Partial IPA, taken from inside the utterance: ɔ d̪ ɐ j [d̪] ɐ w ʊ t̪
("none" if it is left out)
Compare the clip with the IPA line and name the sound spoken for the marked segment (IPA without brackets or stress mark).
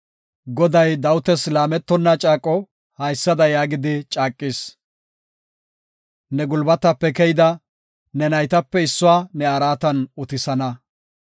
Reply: d̪